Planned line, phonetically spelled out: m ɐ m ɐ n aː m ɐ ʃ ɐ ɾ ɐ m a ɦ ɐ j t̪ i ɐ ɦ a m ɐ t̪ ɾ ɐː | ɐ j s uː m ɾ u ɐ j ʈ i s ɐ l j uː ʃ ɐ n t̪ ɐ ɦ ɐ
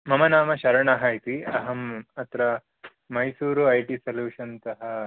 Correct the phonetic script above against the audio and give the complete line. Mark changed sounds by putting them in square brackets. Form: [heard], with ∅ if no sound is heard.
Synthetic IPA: m ɐ m ɐ n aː m ɐ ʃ ɐ ɾ ɐ [ɳ] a ɦ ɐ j t̪ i ɐ ɦ [ɐ] m ɐ t̪ ɾ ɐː | ɐ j s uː [∅] ɾ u ɐ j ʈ i s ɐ l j uː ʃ ɐ n t̪ ɐ ɦ ɐ